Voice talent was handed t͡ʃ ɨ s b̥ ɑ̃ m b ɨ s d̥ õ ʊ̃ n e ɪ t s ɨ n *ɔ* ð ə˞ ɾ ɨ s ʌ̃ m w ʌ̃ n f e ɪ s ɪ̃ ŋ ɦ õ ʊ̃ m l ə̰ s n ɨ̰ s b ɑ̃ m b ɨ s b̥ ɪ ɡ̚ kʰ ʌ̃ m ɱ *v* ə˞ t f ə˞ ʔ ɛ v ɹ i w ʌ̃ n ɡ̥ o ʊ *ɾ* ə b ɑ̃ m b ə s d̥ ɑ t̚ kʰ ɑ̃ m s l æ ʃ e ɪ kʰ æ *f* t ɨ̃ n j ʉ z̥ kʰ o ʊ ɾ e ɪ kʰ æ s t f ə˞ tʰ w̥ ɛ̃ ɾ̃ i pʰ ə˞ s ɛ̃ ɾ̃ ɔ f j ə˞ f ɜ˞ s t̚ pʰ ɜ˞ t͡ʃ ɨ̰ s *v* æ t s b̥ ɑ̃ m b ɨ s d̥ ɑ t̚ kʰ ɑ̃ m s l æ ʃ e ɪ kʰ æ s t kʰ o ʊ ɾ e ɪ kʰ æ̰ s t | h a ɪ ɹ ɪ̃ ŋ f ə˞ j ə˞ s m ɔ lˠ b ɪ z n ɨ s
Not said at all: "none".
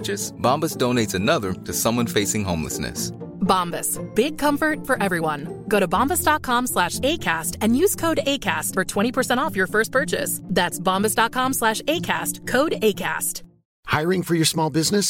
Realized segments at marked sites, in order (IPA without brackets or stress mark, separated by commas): ʌ, f, ɾ, s, ð